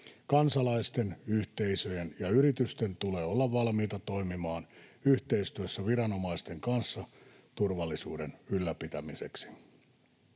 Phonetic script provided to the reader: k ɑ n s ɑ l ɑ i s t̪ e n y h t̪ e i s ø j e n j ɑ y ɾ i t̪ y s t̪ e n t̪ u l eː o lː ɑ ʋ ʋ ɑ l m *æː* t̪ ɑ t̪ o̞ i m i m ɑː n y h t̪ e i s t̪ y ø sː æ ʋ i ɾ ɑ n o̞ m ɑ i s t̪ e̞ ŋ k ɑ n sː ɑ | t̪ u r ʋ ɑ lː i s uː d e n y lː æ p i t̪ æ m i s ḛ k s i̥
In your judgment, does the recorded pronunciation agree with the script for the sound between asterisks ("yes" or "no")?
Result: no